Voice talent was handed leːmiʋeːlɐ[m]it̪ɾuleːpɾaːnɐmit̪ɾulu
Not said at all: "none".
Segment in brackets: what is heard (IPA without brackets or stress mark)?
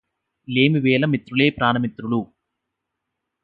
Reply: m